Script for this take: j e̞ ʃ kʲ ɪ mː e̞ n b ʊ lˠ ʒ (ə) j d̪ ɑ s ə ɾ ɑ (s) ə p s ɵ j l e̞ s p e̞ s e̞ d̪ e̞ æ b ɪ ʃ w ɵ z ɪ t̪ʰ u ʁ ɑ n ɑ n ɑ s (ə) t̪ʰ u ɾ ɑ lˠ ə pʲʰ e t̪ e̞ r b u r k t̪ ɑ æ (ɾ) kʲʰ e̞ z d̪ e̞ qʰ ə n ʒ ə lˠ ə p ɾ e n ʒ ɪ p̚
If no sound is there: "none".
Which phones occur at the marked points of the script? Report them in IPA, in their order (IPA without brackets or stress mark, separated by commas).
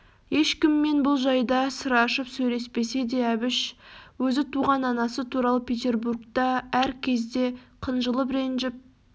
ɑ, ʃ, ə, ɾ